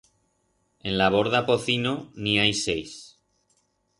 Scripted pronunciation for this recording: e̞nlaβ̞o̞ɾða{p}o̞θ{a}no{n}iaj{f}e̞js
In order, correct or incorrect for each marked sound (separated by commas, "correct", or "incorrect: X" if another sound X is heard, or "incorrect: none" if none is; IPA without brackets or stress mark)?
correct, incorrect: i, correct, incorrect: s